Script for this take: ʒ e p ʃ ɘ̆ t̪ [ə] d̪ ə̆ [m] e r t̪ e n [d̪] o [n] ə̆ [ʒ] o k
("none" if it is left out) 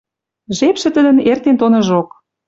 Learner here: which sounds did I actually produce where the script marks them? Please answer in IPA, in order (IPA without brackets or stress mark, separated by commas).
ə, n, t̪, n, ʒ